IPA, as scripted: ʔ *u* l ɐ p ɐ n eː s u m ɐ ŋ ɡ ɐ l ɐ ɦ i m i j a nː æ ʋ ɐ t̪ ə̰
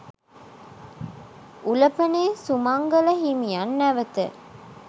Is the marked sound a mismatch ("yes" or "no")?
no